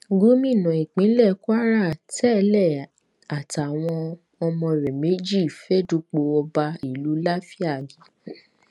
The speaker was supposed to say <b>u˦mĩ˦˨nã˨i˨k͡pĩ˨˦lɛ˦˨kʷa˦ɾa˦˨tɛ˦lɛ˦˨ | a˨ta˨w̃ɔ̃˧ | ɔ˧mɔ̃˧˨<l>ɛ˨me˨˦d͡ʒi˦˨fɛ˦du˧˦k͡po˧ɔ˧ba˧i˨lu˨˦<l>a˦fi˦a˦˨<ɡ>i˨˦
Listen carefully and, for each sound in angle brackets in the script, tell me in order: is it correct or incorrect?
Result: incorrect: ɡ, incorrect: ɾ, correct, correct

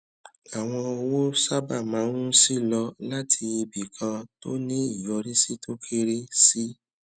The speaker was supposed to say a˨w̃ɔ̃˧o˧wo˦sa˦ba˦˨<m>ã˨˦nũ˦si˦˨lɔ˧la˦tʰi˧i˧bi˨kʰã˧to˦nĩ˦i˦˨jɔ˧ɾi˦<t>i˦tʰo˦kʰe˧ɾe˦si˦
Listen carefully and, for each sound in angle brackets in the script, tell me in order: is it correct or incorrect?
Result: correct, incorrect: s

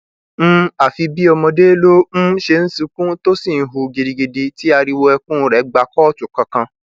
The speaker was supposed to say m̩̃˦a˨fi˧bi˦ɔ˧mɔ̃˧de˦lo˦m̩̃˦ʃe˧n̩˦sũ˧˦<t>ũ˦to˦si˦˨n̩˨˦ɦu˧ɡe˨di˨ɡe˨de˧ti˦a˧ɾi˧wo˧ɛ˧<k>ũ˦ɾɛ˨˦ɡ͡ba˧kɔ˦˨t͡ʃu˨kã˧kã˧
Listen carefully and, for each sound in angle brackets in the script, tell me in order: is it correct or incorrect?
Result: incorrect: k, correct

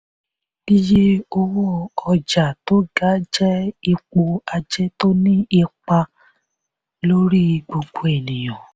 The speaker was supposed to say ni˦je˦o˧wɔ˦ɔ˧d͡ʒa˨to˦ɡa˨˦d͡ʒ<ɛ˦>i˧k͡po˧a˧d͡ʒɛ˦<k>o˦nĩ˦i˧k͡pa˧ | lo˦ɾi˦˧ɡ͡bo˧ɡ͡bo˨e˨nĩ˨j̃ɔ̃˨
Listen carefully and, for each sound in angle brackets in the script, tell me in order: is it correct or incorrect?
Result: correct, incorrect: t

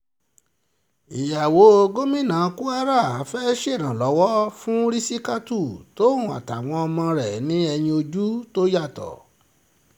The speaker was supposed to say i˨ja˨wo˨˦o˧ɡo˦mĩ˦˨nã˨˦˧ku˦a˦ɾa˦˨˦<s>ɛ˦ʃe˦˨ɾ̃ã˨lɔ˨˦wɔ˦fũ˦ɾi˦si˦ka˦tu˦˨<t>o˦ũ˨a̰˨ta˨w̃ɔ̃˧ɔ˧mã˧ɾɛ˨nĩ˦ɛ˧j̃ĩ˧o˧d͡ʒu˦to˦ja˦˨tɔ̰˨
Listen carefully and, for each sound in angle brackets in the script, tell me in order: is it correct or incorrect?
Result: incorrect: f, correct

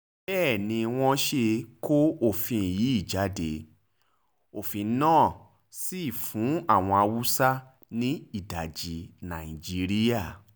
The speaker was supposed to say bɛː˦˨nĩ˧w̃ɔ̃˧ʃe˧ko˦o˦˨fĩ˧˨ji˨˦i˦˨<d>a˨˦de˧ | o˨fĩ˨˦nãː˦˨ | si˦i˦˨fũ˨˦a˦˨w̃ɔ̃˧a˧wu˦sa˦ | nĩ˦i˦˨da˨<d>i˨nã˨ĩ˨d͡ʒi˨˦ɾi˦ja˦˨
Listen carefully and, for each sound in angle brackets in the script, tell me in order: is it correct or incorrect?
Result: incorrect: d͡ʒ, incorrect: d͡ʒ

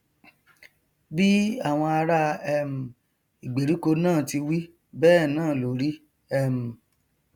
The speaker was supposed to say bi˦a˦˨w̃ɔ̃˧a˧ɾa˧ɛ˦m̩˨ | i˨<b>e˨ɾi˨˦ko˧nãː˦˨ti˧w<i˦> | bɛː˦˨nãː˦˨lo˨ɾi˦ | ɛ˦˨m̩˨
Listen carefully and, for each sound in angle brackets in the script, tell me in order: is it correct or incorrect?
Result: incorrect: ɡ͡b, correct

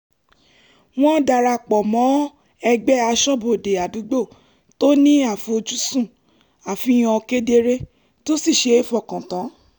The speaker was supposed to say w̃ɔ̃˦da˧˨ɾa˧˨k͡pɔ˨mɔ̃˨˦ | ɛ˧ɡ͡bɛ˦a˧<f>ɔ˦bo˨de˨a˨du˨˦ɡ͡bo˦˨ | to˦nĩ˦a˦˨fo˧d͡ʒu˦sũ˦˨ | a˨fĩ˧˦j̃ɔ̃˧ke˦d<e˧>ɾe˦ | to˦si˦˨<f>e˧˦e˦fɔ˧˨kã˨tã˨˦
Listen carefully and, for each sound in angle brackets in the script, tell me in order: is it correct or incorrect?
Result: incorrect: ʃ, correct, incorrect: ʃ

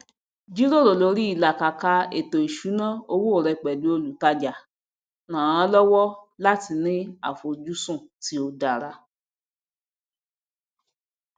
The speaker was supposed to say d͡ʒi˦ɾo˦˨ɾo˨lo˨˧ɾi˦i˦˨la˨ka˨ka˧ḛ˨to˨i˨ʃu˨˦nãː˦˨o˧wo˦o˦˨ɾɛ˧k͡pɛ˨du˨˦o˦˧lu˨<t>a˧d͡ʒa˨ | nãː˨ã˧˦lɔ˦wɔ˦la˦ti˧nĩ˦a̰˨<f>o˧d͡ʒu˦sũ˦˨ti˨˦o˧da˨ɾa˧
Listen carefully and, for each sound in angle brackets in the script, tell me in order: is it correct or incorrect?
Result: correct, correct

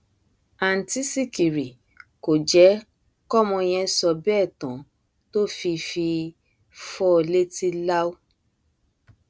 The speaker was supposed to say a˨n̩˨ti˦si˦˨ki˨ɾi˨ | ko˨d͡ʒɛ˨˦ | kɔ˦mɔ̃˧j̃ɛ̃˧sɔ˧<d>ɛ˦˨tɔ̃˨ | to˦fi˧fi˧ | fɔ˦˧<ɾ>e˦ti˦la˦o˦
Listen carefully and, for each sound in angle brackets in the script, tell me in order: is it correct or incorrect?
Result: incorrect: b, incorrect: l

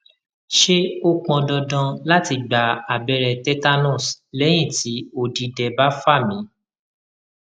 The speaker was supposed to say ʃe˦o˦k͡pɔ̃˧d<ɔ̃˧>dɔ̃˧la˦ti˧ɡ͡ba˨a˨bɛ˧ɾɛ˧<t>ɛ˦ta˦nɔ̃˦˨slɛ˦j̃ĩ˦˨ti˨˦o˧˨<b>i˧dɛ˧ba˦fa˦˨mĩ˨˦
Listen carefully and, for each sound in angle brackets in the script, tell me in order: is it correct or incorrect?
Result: incorrect: ɔ˧, correct, incorrect: d

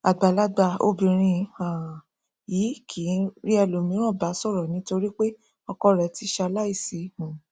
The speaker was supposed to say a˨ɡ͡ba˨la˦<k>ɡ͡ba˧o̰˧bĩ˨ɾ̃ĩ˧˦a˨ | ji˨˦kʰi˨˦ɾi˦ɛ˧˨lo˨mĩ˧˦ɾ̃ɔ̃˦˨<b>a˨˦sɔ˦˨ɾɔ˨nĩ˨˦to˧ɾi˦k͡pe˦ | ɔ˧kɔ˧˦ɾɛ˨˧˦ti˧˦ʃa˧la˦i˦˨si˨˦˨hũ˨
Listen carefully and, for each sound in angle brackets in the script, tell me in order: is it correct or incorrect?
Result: incorrect: none, correct

